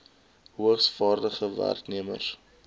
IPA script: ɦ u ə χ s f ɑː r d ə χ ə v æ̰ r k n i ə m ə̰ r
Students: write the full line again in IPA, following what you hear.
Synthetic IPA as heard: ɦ u ə χ s f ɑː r d ə χ ə v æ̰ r k n i ə m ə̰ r